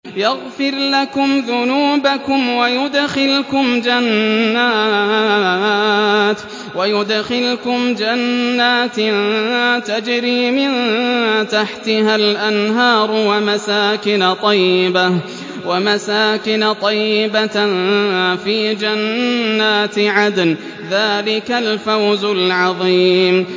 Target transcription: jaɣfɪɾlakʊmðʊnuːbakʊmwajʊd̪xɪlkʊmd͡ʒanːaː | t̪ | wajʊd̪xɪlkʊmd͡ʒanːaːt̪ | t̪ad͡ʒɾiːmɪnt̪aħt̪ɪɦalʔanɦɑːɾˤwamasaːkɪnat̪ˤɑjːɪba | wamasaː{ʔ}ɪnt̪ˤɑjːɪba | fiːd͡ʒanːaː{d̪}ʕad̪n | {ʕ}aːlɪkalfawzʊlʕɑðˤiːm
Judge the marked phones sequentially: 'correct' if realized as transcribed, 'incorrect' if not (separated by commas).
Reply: incorrect, incorrect, incorrect